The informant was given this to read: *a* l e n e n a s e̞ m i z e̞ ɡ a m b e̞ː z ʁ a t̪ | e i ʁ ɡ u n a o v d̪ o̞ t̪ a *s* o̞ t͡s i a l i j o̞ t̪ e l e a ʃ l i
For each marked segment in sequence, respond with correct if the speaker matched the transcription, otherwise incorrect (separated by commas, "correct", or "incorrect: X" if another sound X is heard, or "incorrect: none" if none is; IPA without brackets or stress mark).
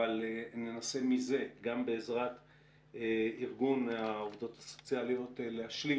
correct, correct